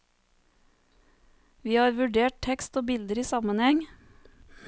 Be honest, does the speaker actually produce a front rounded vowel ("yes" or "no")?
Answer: no